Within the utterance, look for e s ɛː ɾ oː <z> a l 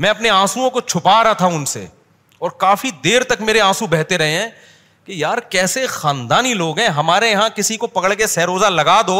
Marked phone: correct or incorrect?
correct